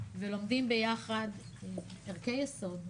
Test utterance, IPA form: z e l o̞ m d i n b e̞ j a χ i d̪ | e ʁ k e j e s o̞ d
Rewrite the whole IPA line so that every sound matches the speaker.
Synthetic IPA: v e l o̞ m d i m b e̞ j a χ a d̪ | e ʁ k e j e s o̞ d